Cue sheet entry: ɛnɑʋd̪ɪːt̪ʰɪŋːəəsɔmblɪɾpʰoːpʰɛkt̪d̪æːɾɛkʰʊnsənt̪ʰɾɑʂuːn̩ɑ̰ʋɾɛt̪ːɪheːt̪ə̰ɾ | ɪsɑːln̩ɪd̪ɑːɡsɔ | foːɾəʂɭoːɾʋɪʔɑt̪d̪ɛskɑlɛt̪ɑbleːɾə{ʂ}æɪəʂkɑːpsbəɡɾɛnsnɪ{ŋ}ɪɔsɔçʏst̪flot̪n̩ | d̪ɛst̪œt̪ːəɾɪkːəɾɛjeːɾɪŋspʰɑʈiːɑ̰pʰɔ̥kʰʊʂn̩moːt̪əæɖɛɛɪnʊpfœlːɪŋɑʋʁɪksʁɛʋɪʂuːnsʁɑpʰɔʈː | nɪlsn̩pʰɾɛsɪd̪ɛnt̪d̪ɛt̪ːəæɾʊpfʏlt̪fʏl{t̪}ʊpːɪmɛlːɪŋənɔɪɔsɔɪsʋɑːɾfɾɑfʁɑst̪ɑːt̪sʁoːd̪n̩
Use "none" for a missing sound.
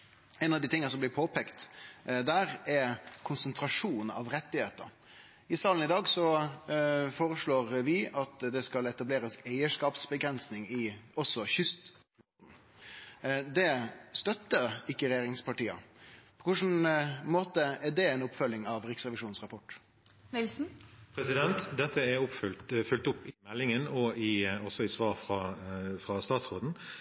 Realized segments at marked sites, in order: s, ŋ, t̪

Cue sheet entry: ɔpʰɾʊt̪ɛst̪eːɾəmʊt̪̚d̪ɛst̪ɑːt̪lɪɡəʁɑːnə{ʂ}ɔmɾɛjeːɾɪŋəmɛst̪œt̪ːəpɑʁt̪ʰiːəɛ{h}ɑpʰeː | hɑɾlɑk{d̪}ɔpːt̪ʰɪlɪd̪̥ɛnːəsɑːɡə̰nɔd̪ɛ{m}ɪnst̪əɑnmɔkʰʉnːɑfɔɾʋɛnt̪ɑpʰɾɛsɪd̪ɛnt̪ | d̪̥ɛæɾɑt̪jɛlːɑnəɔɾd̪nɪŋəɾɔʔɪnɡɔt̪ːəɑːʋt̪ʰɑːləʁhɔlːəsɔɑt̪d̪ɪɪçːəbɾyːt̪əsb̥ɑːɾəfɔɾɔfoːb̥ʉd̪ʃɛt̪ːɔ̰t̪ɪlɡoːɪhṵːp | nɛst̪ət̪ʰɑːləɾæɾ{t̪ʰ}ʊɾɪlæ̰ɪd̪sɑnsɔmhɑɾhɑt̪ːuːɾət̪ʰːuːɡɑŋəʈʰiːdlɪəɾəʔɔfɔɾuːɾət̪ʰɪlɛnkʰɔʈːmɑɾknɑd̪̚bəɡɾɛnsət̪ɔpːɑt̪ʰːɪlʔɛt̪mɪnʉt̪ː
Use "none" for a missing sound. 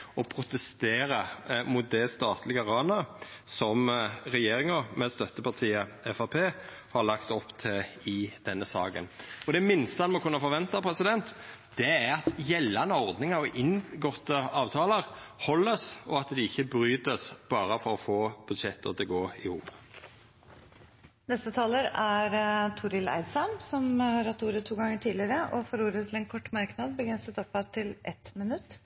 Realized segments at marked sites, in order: s, f, t̪, m, t̪ʰ

